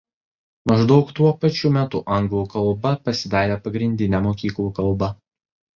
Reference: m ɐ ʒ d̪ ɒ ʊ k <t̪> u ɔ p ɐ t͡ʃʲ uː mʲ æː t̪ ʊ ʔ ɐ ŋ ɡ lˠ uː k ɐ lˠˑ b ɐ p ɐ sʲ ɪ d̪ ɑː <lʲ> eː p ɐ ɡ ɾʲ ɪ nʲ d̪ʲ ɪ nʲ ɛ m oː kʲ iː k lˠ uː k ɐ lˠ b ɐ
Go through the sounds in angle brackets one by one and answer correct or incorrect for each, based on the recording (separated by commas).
correct, incorrect